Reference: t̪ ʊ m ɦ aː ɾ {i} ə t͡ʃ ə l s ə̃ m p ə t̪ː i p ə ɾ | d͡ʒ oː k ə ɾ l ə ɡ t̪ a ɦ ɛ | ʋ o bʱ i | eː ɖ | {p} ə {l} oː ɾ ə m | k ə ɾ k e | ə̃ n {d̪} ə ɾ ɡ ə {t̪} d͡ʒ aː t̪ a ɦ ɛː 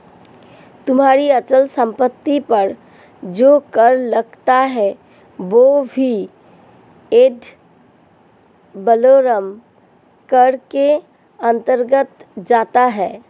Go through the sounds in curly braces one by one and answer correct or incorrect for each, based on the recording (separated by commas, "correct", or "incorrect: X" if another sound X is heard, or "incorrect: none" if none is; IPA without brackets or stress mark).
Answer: correct, incorrect: b, correct, incorrect: t̪, correct